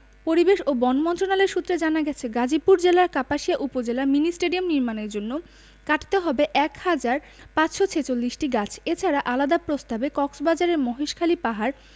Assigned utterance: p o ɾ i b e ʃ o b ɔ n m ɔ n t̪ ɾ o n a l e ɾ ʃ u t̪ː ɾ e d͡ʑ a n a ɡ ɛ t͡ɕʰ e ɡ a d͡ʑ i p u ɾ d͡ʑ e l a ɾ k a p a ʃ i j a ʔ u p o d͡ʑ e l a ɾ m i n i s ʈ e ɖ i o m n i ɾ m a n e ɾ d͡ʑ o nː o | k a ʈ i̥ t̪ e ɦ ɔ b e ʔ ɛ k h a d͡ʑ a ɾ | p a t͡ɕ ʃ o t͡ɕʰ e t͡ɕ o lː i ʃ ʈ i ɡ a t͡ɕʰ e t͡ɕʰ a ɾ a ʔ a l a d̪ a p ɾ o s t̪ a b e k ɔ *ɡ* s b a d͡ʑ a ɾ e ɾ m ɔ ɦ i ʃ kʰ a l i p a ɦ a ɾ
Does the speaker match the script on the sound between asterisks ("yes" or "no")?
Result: no